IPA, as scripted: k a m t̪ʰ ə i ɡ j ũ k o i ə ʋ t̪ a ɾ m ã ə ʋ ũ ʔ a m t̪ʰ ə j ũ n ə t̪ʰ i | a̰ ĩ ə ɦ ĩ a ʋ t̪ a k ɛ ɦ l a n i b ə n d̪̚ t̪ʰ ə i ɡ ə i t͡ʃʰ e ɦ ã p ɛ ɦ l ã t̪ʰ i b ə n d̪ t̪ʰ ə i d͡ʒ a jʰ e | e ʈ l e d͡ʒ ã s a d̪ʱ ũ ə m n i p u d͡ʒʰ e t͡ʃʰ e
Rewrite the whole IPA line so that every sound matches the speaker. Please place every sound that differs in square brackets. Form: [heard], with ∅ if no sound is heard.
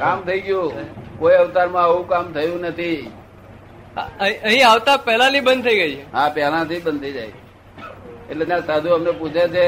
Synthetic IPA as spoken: k a m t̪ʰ ə i ɡ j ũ k o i ə ʋ t̪ a ɾ m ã ə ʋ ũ [k] a m t̪ʰ ə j ũ n ə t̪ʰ i | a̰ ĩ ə ɦ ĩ a ʋ t̪ a [p] ɛ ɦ l a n i b ə n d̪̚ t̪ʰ ə i ɡ ə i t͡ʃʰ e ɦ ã p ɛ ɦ l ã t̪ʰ i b ə n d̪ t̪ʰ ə i d͡ʒ a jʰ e | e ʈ l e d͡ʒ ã s a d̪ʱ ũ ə m n [e] p u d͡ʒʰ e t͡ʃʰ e